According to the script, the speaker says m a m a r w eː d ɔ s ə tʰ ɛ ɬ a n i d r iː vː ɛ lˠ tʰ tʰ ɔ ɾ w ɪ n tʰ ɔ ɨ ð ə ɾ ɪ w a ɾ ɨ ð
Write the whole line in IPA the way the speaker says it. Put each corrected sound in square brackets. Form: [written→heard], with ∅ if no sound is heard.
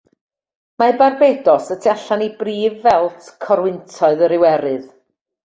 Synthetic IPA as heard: m a [m→b] a r [w→b] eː d ɔ s ə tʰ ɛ ɬ a n i [d→b] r iː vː ɛ lˠ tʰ [tʰ→kʰ] ɔ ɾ w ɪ n tʰ ɔ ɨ ð ə ɾ ɪ w [a→ɛ] ɾ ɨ ð